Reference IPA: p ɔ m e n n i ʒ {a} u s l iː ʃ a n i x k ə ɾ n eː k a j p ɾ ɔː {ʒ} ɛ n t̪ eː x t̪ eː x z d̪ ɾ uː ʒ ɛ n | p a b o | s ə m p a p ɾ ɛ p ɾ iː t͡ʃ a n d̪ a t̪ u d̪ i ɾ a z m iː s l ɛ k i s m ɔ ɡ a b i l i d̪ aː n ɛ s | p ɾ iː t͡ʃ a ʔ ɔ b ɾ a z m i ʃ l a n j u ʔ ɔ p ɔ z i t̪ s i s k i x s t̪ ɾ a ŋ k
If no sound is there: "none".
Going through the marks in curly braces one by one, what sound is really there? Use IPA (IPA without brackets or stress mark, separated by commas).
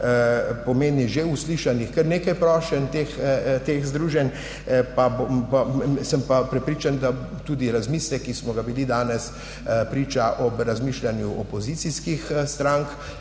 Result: e, ʃ